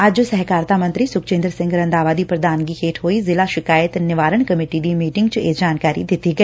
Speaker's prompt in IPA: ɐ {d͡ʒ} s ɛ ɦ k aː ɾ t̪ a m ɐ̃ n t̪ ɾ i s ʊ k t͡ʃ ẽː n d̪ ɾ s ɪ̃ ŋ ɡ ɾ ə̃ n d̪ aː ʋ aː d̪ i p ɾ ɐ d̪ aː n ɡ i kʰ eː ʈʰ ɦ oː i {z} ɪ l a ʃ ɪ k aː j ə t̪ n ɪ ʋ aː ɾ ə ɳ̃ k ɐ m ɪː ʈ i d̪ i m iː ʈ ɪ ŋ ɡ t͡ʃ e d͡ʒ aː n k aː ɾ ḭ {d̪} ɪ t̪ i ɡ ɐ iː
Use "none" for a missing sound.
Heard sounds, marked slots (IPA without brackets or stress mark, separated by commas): d͡ʒ, z, d̪